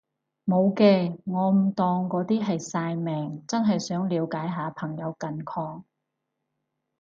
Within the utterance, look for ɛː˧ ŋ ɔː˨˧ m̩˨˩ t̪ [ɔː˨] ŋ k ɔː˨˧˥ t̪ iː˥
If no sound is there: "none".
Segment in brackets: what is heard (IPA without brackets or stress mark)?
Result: ɔː˨